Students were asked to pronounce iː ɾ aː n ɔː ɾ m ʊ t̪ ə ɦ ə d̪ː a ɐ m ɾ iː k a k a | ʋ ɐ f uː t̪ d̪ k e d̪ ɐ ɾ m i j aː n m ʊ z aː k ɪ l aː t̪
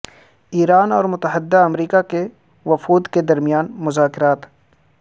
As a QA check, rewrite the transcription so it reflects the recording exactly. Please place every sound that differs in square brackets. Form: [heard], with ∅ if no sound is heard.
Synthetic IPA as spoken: iː ɾ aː n ɔː ɾ m ʊ t̪ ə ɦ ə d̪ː a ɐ m ɾ iː k a k [e] | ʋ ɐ f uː [∅] d̪ k e d̪ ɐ ɾ m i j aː n m ʊ z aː k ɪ [ɾ] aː t̪